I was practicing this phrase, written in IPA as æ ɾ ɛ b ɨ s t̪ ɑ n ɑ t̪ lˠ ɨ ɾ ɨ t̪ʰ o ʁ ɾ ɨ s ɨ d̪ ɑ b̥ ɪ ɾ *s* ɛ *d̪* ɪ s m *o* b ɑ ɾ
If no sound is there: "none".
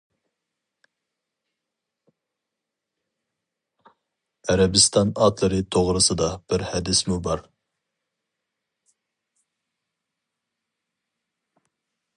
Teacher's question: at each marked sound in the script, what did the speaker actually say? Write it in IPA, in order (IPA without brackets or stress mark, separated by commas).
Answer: h, d̪, u